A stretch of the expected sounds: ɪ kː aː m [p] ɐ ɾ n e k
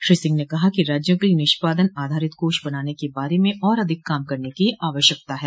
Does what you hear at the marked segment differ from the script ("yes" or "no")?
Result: yes